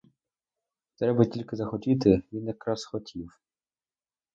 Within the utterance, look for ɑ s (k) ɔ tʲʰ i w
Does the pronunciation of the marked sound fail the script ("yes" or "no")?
yes